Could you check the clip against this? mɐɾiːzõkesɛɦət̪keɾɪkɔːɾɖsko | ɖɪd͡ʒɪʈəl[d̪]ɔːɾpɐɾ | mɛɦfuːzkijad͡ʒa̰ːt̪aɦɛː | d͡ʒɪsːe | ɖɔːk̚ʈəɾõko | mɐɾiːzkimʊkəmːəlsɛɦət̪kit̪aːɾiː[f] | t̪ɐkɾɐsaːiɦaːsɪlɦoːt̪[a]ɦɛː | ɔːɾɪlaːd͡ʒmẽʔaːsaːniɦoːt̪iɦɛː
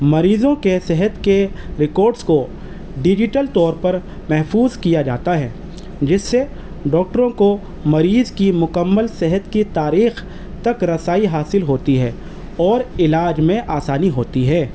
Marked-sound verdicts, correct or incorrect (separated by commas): incorrect, incorrect, incorrect